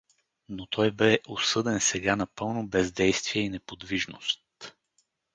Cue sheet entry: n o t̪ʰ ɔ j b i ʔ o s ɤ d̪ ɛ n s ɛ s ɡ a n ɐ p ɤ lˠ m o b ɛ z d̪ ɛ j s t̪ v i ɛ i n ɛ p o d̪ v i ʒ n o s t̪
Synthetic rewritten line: n o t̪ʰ ɔ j b ɛ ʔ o s ɤ d̪ ɛ n s ɛ ɡ a n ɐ p ɤ lˠ n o b ɛ z d̪ ɛ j s t̪ v i ɛ i n ɛ p o d̪ v i ʒ n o s t̪